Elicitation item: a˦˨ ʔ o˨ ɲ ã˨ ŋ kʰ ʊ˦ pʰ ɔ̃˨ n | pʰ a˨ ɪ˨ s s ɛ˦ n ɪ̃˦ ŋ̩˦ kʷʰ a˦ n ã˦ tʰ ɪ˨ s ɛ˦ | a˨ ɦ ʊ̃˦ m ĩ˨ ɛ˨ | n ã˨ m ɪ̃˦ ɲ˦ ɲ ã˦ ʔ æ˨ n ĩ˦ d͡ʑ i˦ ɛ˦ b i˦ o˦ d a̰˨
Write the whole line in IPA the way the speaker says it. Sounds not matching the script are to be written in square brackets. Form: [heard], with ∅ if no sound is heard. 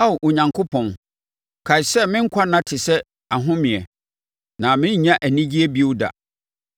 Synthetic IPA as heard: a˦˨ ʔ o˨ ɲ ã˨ ŋ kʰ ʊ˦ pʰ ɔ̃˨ n | [kʰ] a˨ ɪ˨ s s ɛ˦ [m] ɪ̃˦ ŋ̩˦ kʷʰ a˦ n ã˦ tʰ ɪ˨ s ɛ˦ | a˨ ɦ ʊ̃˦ m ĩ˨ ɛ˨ | n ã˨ m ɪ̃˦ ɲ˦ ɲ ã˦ ʔ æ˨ n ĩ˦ d͡ʑ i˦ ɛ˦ b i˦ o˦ d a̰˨